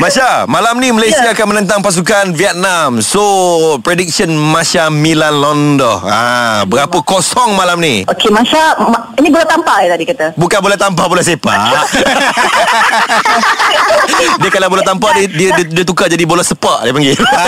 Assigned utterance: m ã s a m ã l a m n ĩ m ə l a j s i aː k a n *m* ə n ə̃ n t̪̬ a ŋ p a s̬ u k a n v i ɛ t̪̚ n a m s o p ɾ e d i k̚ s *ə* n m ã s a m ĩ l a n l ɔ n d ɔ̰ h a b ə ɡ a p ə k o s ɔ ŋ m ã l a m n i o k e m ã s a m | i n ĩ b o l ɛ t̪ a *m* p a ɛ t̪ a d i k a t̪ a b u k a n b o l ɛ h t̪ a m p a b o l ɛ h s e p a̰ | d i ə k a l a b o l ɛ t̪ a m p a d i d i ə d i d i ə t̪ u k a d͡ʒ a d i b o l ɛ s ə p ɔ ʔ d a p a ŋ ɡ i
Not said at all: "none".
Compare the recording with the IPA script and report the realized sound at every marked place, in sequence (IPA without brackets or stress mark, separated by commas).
m, ə, m